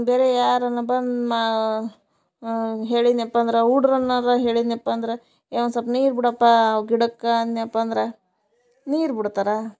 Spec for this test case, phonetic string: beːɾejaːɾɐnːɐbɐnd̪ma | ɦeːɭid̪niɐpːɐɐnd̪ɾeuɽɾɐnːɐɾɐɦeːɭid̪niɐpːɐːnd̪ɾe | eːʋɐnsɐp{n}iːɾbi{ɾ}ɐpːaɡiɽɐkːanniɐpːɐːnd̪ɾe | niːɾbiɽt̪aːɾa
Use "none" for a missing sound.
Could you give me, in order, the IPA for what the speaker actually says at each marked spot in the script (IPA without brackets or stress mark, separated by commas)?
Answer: n, ɽ